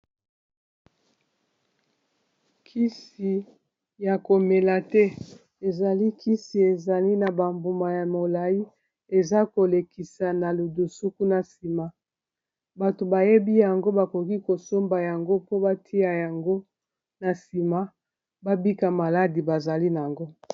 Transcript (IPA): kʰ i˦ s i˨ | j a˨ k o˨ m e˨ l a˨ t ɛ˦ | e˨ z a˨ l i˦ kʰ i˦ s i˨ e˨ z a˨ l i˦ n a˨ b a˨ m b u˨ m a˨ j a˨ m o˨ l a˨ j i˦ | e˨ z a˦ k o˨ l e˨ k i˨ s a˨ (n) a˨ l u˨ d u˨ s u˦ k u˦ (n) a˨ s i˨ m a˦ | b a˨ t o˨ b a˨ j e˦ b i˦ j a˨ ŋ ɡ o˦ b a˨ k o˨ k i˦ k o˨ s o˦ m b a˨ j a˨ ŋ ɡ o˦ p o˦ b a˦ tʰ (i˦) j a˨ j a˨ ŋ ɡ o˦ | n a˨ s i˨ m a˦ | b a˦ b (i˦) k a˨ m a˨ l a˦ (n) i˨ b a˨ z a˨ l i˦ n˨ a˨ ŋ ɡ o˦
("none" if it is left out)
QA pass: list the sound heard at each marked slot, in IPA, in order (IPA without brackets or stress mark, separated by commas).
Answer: n, n, i˦, i˦, d